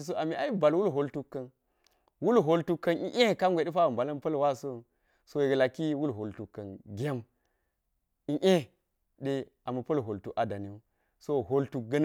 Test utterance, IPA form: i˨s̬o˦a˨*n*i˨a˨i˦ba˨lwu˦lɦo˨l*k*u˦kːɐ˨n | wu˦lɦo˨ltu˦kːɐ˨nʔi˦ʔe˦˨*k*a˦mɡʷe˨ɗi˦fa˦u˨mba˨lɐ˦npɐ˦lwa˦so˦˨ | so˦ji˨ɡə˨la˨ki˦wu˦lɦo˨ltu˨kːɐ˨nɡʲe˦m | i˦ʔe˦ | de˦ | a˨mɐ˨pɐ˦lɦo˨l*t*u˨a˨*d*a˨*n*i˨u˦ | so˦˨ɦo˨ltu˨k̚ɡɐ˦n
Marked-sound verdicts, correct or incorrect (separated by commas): incorrect, incorrect, correct, correct, correct, correct